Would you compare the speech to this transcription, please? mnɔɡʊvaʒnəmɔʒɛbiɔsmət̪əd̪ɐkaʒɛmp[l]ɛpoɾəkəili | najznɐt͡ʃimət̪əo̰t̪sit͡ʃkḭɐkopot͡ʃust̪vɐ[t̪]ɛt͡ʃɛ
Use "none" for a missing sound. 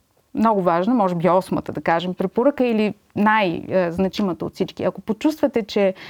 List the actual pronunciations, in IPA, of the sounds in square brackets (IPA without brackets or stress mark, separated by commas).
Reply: ɾ, t̪